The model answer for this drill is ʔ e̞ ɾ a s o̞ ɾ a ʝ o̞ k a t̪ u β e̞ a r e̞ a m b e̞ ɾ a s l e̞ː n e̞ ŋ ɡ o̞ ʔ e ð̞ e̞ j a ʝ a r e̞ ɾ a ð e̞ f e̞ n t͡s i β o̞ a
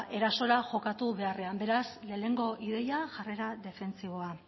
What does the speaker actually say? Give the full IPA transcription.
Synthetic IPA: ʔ e̞ ɾ a s o̞ ɾ a ʝ o̞ k a t̪ u β e̞ a r e̞ a m b e̞ ɾ a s l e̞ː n e̞ ŋ ɡ o̞ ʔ i ð̞ e̞ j a ʝ a r e̞ ɾ a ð e̞ f e̞ n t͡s i β o̞ a